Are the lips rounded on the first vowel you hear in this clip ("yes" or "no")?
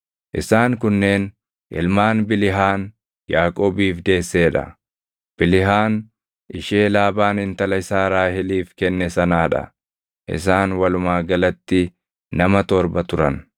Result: no